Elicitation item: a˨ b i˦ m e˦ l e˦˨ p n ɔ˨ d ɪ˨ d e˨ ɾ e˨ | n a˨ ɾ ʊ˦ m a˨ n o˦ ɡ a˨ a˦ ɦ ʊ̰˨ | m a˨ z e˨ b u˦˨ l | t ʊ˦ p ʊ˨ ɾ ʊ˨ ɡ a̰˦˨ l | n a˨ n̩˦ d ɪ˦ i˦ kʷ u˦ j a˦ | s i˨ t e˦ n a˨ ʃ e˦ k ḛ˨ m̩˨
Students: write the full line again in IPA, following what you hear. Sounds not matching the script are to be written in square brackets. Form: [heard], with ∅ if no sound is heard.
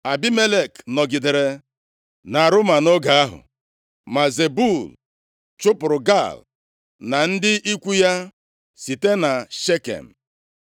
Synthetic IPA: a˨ b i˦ m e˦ l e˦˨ [k] n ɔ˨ [ɡ] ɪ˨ d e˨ ɾ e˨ | n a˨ ɾ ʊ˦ m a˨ n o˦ ɡ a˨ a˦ ɦ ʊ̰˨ | m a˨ z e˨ b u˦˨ l | [t͡ʃ] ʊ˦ p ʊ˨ ɾ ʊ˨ ɡ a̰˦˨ l | n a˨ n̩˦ d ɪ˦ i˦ kʷ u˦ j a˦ | s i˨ t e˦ n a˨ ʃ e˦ k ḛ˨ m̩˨